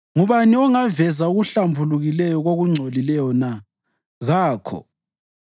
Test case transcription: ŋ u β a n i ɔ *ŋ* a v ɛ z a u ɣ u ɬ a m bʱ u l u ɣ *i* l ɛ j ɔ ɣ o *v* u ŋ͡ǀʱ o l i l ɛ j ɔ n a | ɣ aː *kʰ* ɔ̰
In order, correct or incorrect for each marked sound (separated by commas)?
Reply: correct, correct, incorrect, correct